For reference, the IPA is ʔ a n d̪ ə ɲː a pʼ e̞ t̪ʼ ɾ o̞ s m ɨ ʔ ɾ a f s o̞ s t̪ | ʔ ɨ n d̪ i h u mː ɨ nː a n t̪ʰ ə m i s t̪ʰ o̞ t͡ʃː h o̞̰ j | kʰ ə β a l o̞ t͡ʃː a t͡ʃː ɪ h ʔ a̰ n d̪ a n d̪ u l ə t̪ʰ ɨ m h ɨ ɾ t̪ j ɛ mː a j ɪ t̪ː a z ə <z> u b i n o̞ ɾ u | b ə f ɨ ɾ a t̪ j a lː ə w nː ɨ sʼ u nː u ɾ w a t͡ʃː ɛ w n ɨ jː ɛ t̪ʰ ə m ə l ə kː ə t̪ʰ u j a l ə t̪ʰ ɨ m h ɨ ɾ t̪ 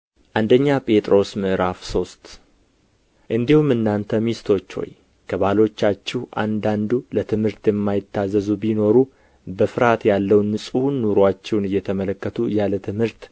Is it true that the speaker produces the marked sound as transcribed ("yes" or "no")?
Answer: yes